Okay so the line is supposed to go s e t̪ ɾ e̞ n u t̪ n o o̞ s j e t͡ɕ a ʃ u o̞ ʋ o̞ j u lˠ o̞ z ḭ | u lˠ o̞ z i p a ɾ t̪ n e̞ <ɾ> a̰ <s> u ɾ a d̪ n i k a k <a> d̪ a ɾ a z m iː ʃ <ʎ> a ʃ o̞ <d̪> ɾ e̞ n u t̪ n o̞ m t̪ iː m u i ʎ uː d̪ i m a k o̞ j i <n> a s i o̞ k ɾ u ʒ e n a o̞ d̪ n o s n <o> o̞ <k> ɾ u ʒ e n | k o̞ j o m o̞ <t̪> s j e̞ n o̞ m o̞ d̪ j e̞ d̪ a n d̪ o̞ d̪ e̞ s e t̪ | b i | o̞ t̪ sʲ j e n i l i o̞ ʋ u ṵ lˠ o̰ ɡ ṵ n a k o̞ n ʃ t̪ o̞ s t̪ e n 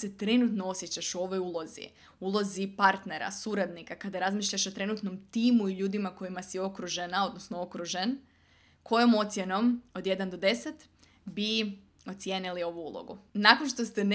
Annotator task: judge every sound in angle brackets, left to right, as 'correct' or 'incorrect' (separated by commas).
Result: correct, correct, correct, correct, incorrect, incorrect, correct, correct, correct